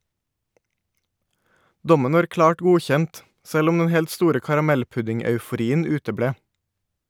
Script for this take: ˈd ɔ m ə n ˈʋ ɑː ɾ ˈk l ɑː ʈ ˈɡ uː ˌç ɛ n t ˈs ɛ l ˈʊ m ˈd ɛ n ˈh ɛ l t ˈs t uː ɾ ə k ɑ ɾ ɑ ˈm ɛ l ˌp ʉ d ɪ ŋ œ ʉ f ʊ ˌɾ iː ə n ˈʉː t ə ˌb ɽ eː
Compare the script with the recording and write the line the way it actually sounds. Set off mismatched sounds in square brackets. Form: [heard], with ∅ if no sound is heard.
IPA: ˈd ɔ m ə n ˈʋ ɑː ɾ ˈk l ɑː ʈ ˈɡ uː ˌç ɛ n t ˈs ɛ l ˈʊ m ˈd ɛ n ˈh ɛ l t ˈs t uː ɾ ə k ɑ ɾ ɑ ˈm ɛ l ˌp ʉ d ɪ ŋ œ ʉ f ʊ ˌɾ iː ə n ˈʉː t ə ˌb ɽ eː